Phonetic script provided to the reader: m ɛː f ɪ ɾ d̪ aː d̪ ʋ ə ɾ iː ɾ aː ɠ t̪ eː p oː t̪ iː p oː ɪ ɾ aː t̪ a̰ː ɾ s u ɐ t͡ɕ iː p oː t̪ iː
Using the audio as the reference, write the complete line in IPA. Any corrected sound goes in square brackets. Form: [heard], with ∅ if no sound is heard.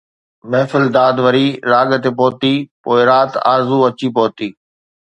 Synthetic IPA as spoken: m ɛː f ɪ [l] d̪ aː d̪ ʋ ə ɾ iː ɾ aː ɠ t̪ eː p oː t̪ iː p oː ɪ ɾ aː t̪ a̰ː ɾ [z] u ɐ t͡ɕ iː p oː t̪ iː